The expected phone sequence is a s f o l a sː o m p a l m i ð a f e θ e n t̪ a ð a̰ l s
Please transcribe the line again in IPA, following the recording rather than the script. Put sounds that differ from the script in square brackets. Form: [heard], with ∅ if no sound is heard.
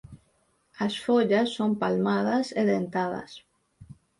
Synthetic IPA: a s f o [ʎ] a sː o m p a l m [a] ð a [s] e [ð] e n t̪ a ð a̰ [∅] s